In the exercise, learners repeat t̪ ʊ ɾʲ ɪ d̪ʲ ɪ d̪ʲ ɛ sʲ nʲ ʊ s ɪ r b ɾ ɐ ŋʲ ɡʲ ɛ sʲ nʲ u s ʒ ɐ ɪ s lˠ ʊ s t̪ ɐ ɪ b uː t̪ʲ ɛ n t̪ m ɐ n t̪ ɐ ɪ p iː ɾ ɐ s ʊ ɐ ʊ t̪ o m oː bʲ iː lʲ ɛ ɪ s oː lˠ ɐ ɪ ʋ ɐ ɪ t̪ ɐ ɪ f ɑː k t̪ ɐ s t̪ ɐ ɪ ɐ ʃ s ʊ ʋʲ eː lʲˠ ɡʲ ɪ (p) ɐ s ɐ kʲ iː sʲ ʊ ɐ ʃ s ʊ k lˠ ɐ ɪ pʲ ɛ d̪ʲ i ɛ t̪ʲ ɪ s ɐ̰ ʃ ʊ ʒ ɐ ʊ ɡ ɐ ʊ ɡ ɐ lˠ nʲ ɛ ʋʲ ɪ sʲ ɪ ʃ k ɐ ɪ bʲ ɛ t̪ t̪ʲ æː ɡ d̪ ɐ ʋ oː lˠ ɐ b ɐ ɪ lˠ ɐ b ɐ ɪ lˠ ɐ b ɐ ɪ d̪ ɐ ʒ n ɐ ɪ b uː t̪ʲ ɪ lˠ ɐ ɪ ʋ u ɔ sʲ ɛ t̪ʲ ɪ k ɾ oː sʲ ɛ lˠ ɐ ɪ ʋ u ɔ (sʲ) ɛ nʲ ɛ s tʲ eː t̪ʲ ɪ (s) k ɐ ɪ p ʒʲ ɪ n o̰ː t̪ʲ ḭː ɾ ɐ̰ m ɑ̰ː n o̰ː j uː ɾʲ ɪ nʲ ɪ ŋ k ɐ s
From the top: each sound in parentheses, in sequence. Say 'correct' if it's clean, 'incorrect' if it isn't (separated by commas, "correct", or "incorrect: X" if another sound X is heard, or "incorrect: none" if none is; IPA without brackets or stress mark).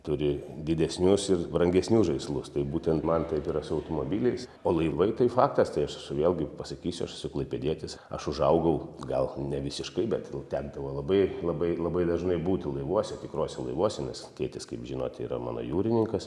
correct, correct, correct